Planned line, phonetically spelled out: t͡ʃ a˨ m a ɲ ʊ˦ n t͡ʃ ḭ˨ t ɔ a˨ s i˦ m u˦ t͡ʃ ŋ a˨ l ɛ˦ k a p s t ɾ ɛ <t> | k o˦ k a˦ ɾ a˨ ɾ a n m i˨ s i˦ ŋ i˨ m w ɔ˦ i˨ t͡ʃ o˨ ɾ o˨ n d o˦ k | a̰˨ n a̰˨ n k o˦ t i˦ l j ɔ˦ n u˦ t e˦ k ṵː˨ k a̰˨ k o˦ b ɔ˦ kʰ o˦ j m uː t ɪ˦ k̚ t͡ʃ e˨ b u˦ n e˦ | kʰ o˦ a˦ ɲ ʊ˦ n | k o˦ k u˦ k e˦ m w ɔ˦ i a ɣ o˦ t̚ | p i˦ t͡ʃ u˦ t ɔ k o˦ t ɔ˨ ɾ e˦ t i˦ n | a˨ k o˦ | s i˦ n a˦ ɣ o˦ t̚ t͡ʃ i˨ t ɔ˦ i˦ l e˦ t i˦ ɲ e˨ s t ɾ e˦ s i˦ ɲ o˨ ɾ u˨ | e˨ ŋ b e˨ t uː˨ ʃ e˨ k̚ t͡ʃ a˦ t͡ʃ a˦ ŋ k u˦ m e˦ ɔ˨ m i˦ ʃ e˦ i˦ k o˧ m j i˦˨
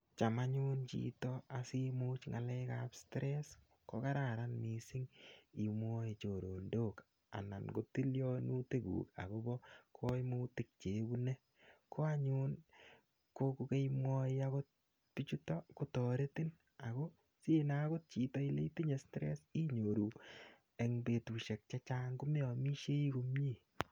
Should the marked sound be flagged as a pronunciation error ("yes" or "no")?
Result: yes